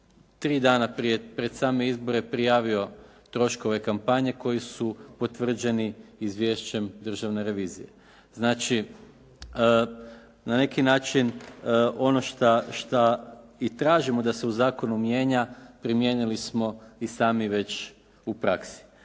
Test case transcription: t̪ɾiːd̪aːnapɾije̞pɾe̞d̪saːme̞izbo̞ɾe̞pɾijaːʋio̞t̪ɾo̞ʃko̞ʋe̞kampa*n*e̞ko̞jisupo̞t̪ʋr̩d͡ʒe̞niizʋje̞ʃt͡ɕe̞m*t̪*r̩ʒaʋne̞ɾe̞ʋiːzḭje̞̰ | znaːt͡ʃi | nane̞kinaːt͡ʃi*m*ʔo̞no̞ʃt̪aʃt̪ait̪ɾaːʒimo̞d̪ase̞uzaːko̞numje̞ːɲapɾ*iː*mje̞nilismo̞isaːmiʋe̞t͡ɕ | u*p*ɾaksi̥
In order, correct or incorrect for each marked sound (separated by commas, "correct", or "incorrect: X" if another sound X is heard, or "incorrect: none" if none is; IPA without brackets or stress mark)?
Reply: incorrect: ɲ, incorrect: d̪, incorrect: n, incorrect: i, correct